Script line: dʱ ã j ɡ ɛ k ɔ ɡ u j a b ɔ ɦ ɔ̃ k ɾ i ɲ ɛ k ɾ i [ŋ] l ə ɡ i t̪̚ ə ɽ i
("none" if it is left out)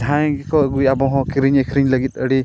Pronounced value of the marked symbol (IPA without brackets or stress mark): ɲ